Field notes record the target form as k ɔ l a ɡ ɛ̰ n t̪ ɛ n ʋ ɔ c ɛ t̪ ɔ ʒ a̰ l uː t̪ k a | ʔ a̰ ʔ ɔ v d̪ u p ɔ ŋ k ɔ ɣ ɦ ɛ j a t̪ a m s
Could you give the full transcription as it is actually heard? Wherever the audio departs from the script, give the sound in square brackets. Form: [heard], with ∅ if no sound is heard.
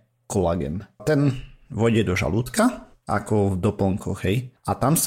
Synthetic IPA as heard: k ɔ l a ɡ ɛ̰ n t̪ ɛ n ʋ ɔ [ɟ] ɛ [d̪] ɔ ʒ a̰ l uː t̪ k a | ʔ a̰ [k] ɔ v d̪ [ɔ] p ɔ ŋ k ɔ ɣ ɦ ɛ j a t̪ a m s